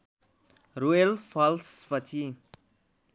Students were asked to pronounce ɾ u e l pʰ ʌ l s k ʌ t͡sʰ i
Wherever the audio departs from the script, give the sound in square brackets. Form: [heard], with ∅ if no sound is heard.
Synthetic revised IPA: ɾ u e l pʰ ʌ l s [p] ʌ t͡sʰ i